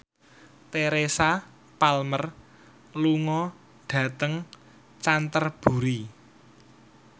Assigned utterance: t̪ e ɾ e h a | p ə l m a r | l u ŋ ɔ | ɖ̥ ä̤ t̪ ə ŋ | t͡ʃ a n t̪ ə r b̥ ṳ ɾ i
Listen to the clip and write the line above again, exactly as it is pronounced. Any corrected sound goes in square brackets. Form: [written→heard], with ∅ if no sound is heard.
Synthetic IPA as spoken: t̪ e ɾ e [h→s] a | p [ə→a] l m [a→ə] r | l u ŋ ɔ | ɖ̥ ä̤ t̪ ə ŋ | t͡ʃ a n t̪ ə r b̥ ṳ ɾ i

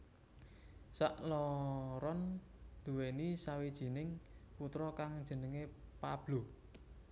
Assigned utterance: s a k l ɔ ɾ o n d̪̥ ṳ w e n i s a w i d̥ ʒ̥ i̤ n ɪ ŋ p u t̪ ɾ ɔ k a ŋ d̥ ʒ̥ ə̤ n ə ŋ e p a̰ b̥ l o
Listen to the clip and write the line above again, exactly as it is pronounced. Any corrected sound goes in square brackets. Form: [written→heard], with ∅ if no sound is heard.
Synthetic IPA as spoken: s a [k→ʔ] l ɔ ɾ [o→ɔ] n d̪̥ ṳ w e n i s a w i d̥ ʒ̥ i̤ n ɪ ŋ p u t̪ ɾ ɔ k a ŋ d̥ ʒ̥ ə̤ n ə ŋ e p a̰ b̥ l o

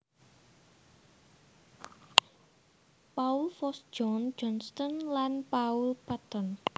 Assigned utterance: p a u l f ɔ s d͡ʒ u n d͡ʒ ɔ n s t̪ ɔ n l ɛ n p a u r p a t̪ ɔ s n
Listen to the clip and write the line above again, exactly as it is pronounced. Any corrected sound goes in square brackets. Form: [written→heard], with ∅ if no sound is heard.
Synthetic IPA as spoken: p a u l f ɔ s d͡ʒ [u→ɔ] n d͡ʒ ɔ n s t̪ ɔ n l [ɛ→a] n p a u [r→l] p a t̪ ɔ [s→∅] n

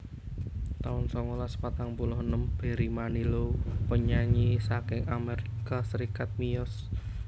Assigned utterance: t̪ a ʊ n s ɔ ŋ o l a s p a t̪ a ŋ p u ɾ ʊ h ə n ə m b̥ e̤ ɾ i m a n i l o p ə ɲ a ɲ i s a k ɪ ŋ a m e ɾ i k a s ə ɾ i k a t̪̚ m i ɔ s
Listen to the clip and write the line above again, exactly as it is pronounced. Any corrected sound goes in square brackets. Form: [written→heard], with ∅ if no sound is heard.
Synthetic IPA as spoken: t̪ a ʊ n s ɔ ŋ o l a s p a t̪ a ŋ p u [ɾ→l] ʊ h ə n ə m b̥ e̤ ɾ i m a n i l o p ə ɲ a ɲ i s a k ɪ ŋ a m e ɾ i k a s ə ɾ i k a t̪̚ m i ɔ s

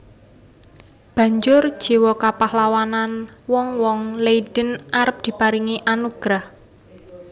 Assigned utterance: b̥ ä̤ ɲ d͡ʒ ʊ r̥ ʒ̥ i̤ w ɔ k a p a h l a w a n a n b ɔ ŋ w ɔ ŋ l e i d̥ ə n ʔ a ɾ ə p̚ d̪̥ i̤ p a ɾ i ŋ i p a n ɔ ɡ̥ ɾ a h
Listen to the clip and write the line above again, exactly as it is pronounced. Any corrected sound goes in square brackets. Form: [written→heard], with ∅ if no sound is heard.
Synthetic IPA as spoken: b̥ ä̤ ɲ d͡ʒ ʊ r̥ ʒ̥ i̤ w ɔ k a p a h l a w a n a n [b→w] ɔ ŋ w ɔ ŋ l e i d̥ ə n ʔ a ɾ ə p̚ d̪̥ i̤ p a ɾ i ŋ i [p→ʔ] a n [ɔ→u] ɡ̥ ɾ a h

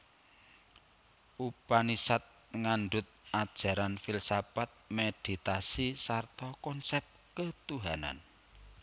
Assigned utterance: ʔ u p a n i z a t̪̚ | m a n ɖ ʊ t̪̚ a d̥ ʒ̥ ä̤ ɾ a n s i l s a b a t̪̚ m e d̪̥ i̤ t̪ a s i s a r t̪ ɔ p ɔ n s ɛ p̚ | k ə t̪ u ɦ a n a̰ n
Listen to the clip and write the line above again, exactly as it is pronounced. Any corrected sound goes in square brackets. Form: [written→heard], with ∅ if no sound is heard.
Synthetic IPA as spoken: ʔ u p a n i [z→s] a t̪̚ | [m→ŋ] a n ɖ ʊ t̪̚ a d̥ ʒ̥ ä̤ ɾ a n [s→f] i l s a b a t̪̚ m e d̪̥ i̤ t̪ a s i s a r t̪ ɔ [p→k] ɔ n s ɛ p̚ | k ə t̪ u ɦ a n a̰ n

